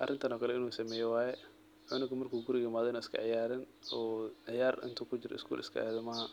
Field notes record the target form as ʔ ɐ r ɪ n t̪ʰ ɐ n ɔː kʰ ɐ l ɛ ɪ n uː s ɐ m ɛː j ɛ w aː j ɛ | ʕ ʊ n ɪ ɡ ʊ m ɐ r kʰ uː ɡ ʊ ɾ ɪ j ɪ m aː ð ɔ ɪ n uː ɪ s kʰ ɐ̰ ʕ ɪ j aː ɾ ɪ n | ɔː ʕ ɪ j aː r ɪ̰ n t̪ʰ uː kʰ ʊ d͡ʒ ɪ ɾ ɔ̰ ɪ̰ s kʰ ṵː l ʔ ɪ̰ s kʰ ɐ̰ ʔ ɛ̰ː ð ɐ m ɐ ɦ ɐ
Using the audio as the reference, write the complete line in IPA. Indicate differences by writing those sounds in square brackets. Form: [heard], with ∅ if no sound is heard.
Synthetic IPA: ʔ ɐ r ɪ n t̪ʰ ɐ n ɔː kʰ ɐ l ɛ ɪ n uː s ɐ m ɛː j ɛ w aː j ɛ | ʕ ʊ n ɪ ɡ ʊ m ɐ r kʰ uː ɡ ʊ ɾ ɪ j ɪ m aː ð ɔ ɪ n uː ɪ s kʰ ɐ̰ ʕ ɪ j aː ɾ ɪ n | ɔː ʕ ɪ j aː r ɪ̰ n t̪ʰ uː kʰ ʊ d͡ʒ ɪ ɾ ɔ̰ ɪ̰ s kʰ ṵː l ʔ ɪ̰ s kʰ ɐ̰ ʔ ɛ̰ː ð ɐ m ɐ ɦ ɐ

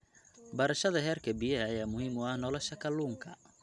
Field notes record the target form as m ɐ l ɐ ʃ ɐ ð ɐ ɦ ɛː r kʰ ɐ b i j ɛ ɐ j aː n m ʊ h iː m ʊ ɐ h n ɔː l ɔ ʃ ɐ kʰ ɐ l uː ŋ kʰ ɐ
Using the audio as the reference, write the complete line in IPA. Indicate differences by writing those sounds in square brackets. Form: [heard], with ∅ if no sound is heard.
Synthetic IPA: [b] ɐ [ɾ] ɐ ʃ ɐ ð ɐ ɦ ɛː r kʰ ɐ b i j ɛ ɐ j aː [∅] m ʊ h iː m ʊ ɐ h n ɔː l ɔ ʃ ɐ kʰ ɐ l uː ŋ kʰ ɐ

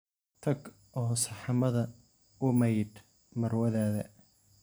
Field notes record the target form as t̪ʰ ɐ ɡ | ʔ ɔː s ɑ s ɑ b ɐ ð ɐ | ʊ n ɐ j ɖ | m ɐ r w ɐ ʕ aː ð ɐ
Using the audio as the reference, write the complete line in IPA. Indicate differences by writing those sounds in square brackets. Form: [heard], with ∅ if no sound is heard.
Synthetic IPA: t̪ʰ ɐ ɡ | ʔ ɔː s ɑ [ħ] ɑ [m] ɐ ð ɐ | ʊ [m] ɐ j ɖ | m ɐ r w ɐ [ð] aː ð ɐ

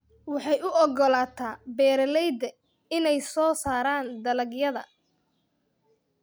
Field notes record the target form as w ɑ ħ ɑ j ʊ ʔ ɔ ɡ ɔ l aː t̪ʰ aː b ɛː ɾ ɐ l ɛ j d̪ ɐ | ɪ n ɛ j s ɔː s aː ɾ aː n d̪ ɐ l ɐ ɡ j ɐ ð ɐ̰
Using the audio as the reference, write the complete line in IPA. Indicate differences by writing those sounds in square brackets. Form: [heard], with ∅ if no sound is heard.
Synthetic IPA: w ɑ ħ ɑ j ʊ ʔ ɔ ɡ ɔ l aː t̪ʰ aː b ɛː ɾ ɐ l ɛ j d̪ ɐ | ɪ n ɛ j s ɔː s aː ɾ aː n d̪ ɐ l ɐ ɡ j ɐ ð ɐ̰

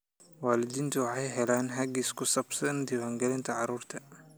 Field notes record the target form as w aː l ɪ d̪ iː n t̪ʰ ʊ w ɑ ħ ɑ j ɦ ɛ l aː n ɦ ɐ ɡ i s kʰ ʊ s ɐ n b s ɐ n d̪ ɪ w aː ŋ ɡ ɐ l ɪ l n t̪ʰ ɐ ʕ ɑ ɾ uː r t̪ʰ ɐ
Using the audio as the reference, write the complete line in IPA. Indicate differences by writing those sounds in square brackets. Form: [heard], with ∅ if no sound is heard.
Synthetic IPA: w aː l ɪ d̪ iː n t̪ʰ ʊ w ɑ ħ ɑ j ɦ ɛ l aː n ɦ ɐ ɡ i s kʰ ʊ s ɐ [∅] b s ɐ n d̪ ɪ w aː ŋ ɡ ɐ l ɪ [∅] n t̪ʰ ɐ ʕ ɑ ɾ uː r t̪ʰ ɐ

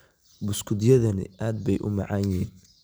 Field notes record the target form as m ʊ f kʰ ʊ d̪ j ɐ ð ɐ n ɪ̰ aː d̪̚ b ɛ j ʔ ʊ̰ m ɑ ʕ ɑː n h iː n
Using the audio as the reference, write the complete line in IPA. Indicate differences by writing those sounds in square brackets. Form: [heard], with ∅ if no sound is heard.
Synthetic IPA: [b] ʊ [s] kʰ ʊ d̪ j ɐ ð ɐ n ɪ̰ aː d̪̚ b ɛ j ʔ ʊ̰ m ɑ ʕ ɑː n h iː n

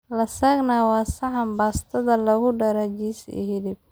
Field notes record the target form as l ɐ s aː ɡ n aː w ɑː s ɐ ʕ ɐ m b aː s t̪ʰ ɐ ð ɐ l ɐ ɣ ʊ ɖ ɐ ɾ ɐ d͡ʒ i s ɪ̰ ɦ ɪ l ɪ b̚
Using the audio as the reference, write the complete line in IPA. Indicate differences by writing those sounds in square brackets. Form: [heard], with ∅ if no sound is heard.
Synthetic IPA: l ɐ s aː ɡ n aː w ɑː s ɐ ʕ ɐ m b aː s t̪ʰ ɐ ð ɐ l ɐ ɣ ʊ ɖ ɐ ɾ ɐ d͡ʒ i s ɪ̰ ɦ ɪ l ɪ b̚

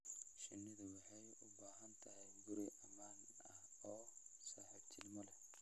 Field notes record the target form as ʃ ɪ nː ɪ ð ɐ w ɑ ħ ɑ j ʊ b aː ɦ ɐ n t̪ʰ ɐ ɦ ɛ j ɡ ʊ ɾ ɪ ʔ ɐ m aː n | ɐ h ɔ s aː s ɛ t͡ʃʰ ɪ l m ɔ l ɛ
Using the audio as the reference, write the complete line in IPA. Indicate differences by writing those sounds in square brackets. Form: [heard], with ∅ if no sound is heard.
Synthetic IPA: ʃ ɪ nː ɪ ð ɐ w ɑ ħ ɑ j ʊ b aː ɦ ɐ n t̪ʰ ɐ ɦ ɛ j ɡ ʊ ɾ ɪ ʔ ɐ m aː n | ɐ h [ɔː] s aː [ħ] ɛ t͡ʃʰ ɪ l m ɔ l ɛ

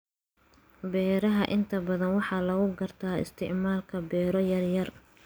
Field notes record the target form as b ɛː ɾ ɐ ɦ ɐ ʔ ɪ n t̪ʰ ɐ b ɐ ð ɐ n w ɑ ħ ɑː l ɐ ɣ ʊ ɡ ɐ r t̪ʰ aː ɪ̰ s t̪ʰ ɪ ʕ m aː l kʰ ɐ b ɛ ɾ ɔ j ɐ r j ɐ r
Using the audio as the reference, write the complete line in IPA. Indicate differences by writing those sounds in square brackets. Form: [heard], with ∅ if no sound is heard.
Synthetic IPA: b ɛː ɾ ɐ ɦ ɐ ʔ ɪ n t̪ʰ ɐ b ɐ ð ɐ n w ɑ ħ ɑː l ɐ ɣ ʊ ɡ ɐ r t̪ʰ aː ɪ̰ s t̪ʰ ɪ ʕ m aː l kʰ ɐ b [ɛː] ɾ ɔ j ɐ r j ɐ r

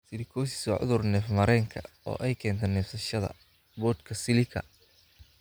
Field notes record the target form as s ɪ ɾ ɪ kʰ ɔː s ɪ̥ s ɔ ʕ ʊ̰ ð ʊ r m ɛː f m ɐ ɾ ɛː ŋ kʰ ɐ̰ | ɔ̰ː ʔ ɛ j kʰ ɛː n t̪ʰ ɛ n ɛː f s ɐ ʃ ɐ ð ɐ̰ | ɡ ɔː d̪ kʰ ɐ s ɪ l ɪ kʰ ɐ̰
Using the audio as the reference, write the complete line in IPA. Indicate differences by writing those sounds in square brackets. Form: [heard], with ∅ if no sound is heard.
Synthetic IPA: s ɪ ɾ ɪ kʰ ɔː s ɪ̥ s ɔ ʕ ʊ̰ ð ʊ r [n] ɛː f m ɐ ɾ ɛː ŋ kʰ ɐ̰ | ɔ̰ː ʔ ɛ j kʰ ɛː n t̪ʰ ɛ n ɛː f s ɐ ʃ ɐ ð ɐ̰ | [b] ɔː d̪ kʰ ɐ s ɪ l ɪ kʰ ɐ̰

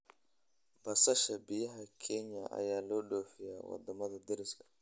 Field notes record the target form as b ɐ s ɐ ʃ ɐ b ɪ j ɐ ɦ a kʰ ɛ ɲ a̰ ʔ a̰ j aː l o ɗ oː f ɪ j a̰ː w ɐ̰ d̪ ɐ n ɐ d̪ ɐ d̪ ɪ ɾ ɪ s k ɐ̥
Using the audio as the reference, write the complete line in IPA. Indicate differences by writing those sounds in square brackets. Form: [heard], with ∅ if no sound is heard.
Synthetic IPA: b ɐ s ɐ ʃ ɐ b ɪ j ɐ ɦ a kʰ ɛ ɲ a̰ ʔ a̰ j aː l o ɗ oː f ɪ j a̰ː w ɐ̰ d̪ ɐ [m] ɐ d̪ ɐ d̪ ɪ ɾ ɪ s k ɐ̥

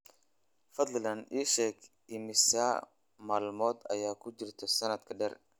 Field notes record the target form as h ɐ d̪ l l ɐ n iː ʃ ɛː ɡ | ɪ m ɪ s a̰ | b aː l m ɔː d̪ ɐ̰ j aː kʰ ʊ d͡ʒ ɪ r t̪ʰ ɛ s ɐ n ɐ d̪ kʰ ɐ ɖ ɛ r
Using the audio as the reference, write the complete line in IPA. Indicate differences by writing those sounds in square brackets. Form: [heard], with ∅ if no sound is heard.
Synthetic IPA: [f] ɐ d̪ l l ɐ n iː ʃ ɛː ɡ | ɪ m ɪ s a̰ | [m] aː l m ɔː d̪ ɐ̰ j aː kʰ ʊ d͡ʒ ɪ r t̪ʰ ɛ s ɐ n ɐ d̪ kʰ ɐ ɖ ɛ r

